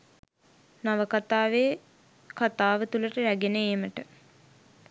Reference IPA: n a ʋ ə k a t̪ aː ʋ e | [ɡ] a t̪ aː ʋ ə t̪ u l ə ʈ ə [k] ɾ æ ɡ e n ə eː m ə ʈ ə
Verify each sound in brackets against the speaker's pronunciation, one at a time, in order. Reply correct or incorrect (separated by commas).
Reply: incorrect, incorrect